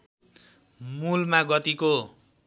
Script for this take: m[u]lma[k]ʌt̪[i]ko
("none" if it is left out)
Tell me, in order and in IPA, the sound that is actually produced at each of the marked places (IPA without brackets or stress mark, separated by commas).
u, ɡ, i